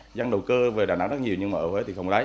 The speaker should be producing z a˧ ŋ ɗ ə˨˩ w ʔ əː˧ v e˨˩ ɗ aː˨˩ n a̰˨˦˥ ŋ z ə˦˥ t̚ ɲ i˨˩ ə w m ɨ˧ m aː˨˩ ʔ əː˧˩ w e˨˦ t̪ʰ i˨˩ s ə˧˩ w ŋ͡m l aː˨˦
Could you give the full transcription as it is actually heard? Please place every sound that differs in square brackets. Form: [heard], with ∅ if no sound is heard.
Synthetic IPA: z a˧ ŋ ɗ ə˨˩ w [k] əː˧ v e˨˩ ɗ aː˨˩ n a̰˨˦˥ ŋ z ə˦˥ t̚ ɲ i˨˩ ə w [ɲ] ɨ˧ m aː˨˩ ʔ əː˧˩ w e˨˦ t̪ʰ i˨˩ [x] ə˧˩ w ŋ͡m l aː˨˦